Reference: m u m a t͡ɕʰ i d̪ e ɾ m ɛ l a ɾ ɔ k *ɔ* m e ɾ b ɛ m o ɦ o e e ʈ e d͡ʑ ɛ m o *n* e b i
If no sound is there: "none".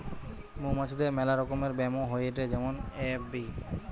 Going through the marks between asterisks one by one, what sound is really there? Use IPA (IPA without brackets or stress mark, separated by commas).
o, n